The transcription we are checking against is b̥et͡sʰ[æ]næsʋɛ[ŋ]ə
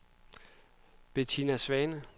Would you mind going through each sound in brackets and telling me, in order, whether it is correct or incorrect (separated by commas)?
incorrect, incorrect